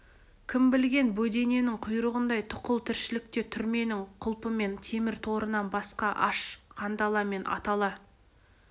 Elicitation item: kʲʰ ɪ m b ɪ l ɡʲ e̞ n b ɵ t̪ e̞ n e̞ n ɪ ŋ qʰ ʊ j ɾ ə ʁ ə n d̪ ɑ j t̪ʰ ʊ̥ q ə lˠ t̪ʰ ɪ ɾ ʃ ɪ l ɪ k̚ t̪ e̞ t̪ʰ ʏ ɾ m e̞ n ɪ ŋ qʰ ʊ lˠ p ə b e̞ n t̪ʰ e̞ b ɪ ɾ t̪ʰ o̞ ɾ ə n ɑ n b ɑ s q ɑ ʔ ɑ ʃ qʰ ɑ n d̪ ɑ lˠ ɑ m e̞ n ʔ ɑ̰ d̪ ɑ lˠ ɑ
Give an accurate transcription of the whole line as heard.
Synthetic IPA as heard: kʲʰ ɪ m b ɪ l ɡʲ e̞ n b ɵ d̪ e̞ n e̞ n ɪ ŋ qʰ ʊ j ɾ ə ʁ ə n d̪ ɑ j t̪ʰ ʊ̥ q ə lˠ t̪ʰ ɪ ɾ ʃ ɪ l ɪ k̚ t̪ e̞ t̪ʰ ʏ ɾ m e̞ n ɪ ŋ qʰ ʊ lˠ p ə m e̞ n t̪ʰ e̞ m ɪ ɾ t̪ʰ o̞ ɾ ə n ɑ n b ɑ s q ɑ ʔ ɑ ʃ qʰ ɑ n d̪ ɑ lˠ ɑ m e̞ n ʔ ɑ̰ t̪ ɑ lˠ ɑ